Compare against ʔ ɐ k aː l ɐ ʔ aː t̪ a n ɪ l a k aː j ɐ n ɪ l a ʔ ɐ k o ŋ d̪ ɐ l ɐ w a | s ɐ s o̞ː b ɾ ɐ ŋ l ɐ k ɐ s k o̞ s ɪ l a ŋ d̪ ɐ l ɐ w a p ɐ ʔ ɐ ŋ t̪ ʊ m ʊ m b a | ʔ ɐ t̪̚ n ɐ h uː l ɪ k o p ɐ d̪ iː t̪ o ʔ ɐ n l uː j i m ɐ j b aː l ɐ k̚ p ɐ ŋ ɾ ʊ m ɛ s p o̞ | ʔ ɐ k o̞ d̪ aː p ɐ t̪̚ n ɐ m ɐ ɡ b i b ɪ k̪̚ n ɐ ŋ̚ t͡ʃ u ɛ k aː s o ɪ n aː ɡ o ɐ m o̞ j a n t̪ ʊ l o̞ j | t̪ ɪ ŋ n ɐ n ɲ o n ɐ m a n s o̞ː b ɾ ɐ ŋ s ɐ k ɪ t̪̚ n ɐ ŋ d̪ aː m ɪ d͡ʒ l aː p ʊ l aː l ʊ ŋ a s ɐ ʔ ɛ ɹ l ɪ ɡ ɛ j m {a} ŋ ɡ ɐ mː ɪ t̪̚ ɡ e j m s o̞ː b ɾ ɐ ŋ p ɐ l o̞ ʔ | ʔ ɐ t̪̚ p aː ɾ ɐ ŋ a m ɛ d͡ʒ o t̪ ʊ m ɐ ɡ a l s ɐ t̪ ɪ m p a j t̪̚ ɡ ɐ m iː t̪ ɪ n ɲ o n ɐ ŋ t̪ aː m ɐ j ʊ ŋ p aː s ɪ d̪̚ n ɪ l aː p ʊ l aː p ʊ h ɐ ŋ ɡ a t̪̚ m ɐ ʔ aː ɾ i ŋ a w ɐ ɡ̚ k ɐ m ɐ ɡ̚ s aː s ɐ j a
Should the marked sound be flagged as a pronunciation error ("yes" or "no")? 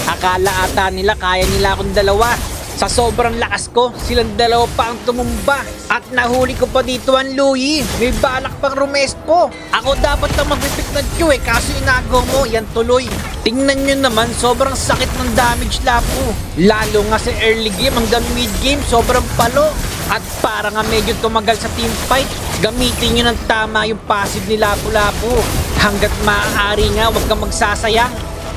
yes